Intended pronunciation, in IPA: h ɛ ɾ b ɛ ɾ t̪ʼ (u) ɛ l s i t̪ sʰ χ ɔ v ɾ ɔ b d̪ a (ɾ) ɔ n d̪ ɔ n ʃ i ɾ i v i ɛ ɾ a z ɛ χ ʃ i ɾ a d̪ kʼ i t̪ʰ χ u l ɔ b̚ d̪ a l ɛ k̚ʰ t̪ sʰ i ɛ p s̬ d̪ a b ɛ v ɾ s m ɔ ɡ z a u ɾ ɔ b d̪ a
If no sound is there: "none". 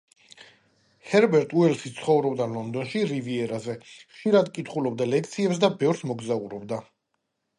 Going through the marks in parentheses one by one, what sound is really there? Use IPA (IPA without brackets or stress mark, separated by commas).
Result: u, l